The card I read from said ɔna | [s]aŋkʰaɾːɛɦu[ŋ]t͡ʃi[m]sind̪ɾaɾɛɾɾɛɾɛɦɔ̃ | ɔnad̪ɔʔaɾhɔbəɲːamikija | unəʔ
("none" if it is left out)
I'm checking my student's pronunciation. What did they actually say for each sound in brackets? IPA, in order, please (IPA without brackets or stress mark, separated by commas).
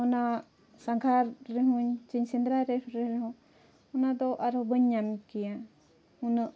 s, ɲ, ɲ